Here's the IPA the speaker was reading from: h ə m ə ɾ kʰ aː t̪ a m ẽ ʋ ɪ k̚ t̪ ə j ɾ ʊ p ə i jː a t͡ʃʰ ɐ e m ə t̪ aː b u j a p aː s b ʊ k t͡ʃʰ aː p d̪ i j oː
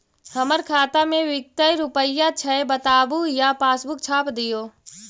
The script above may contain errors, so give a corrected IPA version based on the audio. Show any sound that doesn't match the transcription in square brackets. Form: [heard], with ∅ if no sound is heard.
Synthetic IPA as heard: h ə m ə ɾ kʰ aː t̪ a m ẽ ʋ ɪ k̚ t̪ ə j ɾ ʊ p ə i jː a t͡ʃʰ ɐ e [b] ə t̪ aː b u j a p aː s b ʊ k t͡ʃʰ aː p d̪ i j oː